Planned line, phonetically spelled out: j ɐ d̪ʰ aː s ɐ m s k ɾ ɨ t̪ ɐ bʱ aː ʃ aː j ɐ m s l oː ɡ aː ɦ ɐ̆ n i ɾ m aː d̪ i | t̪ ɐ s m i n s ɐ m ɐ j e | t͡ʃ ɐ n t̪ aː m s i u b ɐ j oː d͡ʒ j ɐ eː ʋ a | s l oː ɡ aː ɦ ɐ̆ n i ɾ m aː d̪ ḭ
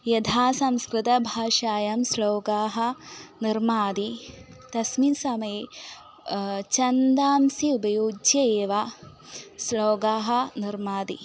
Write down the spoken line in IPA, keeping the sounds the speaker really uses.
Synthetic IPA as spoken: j ɐ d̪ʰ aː s ɐ m s k ɾ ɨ t̪ ɐ bʱ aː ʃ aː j ɐ m s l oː ɡ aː ɦ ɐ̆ n i ɾ m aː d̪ i | t̪ ɐ s m i n s ɐ m ɐ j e | t͡ʃ ɐ n d̪ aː m s i u b ɐ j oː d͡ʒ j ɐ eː ʋ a | s l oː ɡ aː ɦ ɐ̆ n i ɾ m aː d̪ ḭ